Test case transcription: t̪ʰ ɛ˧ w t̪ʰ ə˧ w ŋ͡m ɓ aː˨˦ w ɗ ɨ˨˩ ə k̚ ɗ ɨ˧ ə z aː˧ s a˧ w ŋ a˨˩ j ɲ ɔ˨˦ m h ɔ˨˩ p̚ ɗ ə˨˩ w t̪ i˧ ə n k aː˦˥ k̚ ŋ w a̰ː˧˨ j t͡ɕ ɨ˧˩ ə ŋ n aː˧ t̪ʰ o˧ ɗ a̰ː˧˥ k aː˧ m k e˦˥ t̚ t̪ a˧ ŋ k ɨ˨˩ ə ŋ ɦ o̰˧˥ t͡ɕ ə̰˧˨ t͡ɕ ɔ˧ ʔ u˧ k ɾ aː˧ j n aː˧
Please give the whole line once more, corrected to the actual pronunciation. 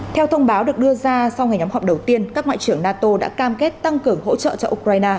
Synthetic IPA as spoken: t̪ʰ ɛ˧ w t̪ʰ ə˧ w ŋ͡m ɓ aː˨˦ w ɗ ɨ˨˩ ə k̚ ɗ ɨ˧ ə z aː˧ s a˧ w ŋ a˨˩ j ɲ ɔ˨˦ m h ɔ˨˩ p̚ ɗ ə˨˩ w t̪ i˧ ə n k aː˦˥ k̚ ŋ w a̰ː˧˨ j t͡ɕ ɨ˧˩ ə ŋ n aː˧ t̪ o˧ ɗ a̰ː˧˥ k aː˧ m k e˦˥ t̚ t̪ a˧ ŋ k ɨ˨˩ ə ŋ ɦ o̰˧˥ t͡ɕ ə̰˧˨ t͡ɕ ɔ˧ ʔ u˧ k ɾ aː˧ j n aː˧